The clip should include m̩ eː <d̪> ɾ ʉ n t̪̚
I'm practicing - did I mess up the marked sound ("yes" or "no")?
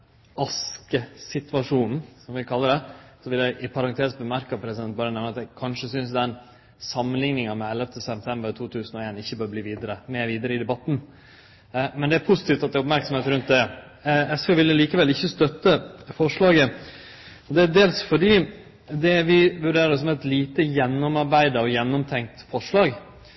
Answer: yes